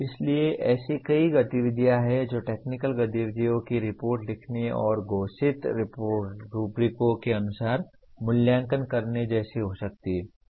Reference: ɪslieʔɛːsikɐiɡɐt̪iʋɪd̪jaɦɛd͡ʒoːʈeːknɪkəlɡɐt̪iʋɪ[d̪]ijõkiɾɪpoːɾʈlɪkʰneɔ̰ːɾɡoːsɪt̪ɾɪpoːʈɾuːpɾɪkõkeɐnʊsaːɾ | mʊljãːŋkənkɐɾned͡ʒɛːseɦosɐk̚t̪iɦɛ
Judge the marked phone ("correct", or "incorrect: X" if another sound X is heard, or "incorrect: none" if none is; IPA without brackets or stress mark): correct